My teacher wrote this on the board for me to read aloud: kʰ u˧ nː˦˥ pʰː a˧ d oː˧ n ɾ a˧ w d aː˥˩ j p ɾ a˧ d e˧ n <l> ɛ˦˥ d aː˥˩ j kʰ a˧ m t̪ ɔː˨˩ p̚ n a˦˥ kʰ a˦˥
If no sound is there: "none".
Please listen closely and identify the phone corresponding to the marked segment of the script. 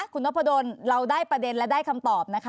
l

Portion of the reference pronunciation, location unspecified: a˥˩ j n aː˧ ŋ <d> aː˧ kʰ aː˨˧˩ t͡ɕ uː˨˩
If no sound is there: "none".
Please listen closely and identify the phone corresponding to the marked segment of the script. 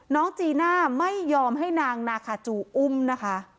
n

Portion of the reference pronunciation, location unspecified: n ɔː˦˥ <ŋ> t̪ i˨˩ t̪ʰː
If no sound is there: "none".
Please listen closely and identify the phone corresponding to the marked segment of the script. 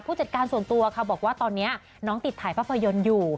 ŋ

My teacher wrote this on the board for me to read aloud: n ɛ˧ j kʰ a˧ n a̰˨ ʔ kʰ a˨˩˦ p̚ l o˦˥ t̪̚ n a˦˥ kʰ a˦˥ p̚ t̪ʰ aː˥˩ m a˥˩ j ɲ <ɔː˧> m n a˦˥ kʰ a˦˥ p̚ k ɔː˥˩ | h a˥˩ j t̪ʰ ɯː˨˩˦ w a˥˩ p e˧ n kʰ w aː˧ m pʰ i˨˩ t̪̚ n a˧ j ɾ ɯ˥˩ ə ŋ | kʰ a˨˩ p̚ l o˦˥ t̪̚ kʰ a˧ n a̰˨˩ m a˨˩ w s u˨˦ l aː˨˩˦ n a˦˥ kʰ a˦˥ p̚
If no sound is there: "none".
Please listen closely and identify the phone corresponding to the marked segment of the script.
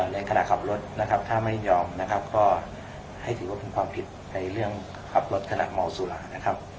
ɔː˧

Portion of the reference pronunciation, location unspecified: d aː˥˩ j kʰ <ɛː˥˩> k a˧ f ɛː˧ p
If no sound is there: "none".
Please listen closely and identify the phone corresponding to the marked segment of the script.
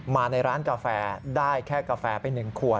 ɛː˥˩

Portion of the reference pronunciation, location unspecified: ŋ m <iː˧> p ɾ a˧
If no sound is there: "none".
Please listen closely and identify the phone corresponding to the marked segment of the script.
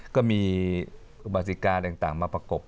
aː˧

